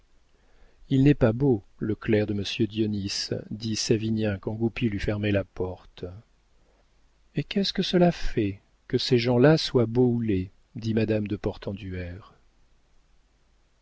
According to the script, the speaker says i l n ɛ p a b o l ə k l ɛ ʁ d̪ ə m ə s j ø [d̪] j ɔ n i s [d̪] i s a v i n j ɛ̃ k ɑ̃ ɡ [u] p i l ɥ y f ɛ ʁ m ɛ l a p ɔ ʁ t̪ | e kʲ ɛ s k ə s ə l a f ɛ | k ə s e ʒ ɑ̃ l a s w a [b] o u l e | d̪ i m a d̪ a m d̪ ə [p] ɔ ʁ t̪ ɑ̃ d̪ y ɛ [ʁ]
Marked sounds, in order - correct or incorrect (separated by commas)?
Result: correct, correct, correct, correct, correct, correct